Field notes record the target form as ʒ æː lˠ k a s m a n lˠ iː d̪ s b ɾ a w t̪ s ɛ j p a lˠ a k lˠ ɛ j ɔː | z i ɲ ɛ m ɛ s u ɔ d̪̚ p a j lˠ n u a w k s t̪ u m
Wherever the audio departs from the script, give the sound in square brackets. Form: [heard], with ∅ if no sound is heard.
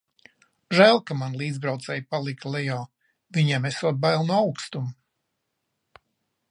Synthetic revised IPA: ʒ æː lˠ k a [∅] m a n lˠ iː d̪ [z] b ɾ a w t̪ s ɛ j p a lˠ [i] k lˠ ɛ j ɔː | [v] i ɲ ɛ m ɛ s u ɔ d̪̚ [b] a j lˠ n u a w k s t̪ u m